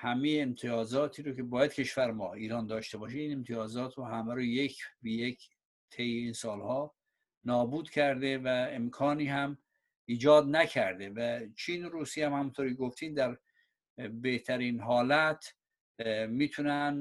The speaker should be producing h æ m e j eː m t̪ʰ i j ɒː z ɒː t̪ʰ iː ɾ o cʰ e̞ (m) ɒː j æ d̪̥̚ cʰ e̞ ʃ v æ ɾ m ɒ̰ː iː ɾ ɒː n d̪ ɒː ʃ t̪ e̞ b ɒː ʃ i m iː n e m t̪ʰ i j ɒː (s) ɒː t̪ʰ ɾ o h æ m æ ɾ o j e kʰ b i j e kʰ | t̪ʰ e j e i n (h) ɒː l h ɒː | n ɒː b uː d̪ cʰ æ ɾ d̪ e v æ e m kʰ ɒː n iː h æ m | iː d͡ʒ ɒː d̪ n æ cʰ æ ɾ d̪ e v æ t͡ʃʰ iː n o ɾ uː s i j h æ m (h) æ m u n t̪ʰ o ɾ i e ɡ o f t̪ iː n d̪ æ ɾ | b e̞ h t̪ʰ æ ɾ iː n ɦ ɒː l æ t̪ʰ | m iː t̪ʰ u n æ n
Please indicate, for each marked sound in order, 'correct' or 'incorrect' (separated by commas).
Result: incorrect, incorrect, incorrect, correct